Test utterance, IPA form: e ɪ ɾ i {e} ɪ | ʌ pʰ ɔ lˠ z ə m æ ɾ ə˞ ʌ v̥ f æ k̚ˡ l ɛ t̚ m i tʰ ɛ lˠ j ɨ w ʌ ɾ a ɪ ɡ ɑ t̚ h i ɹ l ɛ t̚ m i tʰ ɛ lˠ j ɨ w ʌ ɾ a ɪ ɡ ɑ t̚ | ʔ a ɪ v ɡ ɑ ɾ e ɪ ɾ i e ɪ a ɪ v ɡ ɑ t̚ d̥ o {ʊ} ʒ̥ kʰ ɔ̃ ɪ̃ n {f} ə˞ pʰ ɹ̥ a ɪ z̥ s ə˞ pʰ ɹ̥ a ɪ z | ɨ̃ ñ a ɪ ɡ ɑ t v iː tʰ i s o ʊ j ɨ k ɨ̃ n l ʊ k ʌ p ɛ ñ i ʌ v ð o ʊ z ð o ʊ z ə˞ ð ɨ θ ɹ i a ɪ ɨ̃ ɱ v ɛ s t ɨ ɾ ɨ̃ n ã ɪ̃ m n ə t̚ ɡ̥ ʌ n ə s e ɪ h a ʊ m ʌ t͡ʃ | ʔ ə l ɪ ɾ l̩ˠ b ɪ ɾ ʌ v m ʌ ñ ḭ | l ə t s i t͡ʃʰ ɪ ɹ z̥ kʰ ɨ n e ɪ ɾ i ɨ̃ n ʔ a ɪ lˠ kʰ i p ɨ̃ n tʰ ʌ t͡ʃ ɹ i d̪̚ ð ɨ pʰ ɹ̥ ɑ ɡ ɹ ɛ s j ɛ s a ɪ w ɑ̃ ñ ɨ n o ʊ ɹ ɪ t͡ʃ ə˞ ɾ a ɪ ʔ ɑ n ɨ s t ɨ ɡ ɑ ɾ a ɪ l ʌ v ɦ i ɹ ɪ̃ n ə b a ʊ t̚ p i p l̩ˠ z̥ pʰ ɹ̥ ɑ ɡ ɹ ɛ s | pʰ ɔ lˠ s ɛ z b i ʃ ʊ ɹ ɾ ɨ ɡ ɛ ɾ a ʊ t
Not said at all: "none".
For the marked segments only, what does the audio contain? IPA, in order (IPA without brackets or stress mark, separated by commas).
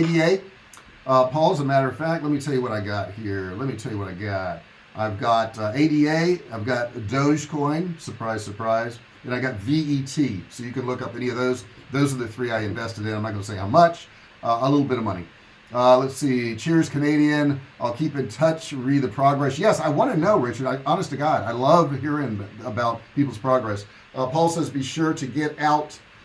e, ʊ, s